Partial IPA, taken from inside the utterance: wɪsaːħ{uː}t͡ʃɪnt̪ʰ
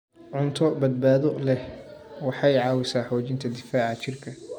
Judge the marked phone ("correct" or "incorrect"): incorrect